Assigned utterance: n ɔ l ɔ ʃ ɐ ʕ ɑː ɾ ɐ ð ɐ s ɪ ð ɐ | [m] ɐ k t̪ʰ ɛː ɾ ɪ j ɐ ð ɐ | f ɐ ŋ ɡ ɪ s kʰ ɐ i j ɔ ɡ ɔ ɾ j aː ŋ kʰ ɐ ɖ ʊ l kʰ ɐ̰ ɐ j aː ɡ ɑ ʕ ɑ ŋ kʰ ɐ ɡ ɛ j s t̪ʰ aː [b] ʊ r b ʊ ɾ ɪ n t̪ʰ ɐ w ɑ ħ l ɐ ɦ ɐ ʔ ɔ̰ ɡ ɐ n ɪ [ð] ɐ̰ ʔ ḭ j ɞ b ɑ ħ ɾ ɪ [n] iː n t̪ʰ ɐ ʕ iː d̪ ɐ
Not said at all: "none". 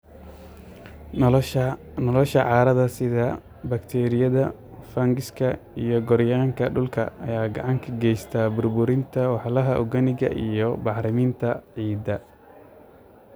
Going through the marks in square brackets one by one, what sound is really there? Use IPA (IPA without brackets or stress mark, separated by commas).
b, b, ɣ, m